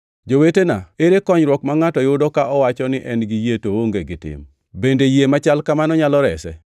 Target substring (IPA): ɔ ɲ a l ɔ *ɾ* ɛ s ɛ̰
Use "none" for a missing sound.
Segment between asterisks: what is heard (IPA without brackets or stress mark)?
ɾ